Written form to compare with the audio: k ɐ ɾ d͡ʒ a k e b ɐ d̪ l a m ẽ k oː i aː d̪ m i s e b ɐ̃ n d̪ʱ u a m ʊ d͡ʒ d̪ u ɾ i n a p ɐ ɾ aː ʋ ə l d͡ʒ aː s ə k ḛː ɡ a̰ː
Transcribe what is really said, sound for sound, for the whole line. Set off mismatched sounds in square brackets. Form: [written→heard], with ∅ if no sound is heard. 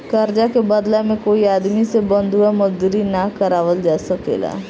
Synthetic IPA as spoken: k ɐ ɾ d͡ʒ a k e b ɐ d̪ l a m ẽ k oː i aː d̪ m i s e b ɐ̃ n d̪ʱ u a m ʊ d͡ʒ d̪ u ɾ i n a [p→k] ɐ ɾ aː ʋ ə l d͡ʒ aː s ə k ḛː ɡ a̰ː